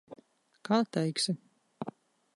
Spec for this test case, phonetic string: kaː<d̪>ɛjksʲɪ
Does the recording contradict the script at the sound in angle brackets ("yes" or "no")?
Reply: yes